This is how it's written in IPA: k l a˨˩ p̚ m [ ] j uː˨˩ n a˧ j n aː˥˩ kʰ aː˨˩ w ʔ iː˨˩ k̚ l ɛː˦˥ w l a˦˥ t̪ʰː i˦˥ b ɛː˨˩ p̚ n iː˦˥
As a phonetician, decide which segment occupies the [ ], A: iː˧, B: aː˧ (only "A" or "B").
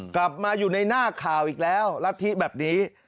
B